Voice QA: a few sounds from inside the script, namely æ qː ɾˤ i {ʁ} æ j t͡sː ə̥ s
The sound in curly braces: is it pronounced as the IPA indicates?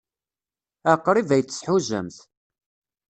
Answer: no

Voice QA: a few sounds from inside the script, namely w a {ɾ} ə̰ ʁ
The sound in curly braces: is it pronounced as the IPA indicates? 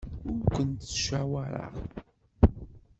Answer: yes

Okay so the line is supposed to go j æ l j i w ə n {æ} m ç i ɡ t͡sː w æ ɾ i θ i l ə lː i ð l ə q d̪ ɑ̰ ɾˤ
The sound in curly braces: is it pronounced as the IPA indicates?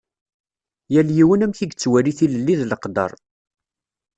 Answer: yes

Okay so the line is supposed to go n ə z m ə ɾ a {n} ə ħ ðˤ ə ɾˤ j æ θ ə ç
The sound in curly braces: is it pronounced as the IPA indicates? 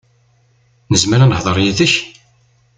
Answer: yes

